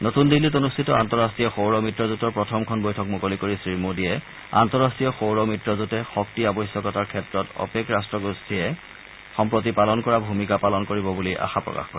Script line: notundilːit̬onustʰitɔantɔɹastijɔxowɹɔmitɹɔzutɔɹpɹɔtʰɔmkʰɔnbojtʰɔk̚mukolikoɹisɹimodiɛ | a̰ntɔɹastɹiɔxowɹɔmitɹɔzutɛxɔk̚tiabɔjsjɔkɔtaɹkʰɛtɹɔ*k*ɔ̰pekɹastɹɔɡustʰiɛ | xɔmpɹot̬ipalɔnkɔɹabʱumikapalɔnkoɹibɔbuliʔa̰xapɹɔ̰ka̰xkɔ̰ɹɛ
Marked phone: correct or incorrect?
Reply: incorrect